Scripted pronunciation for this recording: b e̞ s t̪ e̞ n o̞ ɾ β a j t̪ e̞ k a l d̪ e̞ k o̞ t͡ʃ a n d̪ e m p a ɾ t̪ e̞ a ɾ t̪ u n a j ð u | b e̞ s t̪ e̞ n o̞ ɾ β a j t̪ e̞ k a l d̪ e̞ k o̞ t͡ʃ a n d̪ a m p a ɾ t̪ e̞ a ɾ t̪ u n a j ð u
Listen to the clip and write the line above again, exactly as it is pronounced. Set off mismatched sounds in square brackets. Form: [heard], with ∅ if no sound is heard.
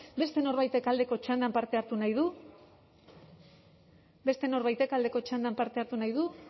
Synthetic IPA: b e̞ s t̪ e̞ n o̞ ɾ β a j t̪ e̞ k a l d̪ e̞ k o̞ t͡ʃ a n d̪ [a] m p a ɾ t̪ e̞ a ɾ t̪ u n a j ð u | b e̞ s t̪ e̞ n o̞ ɾ β a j t̪ e̞ k a l d̪ e̞ k o̞ t͡ʃ a n d̪ a m p a ɾ t̪ e̞ a ɾ t̪ u n a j ð u